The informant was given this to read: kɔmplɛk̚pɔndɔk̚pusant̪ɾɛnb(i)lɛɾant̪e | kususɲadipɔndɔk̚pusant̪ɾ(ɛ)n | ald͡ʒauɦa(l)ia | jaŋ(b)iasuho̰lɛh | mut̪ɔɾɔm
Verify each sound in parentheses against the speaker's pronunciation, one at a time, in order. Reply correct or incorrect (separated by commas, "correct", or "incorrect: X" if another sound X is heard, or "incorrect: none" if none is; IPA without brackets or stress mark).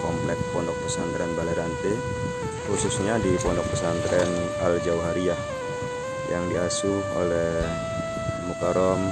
incorrect: a, correct, incorrect: ɾ, incorrect: d